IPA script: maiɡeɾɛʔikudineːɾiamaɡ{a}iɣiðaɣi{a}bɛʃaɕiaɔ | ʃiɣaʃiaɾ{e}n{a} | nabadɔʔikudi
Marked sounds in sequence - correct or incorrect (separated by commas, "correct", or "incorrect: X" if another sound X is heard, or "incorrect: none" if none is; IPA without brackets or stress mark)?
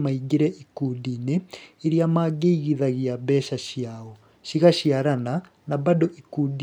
incorrect: e, correct, incorrect: a, correct